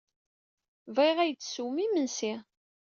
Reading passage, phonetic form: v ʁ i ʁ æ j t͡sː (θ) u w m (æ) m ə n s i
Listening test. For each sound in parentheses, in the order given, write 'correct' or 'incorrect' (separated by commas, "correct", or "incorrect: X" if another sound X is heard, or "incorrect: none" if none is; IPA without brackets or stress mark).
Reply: incorrect: s, incorrect: i